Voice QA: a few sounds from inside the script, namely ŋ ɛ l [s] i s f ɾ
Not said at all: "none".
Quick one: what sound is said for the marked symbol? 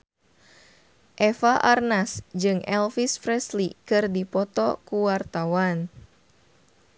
f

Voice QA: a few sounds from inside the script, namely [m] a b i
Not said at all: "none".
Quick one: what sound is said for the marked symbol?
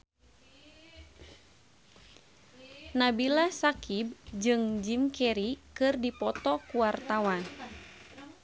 n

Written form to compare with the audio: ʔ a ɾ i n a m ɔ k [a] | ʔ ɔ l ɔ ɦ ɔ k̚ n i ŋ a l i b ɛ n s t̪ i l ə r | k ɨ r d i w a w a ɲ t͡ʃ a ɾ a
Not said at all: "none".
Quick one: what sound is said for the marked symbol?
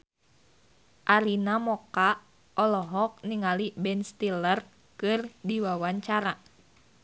a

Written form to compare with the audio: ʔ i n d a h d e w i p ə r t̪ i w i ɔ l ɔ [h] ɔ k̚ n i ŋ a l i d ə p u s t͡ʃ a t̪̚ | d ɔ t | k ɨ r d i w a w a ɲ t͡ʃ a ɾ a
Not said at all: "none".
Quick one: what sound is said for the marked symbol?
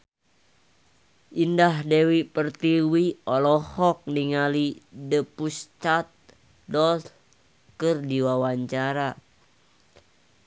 h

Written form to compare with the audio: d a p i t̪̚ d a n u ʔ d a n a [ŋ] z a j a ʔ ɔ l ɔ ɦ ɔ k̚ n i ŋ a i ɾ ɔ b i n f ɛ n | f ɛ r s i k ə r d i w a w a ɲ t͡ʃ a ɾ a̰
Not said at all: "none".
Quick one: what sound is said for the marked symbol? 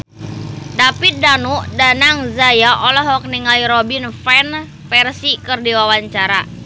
ŋ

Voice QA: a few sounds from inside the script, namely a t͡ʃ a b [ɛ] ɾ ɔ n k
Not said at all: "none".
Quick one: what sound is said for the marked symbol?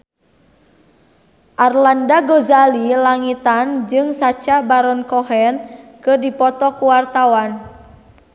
a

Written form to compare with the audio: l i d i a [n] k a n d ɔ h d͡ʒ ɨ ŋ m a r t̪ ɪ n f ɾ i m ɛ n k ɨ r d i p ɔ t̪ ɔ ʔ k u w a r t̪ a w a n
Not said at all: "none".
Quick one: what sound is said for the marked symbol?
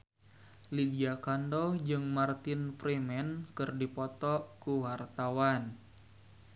none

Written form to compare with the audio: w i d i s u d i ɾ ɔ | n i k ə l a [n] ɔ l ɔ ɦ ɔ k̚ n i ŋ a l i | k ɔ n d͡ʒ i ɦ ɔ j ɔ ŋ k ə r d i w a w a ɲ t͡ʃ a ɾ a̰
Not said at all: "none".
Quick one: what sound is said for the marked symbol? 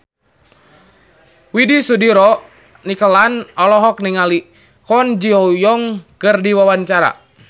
n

